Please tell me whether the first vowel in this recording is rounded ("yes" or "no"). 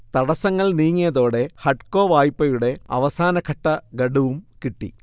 no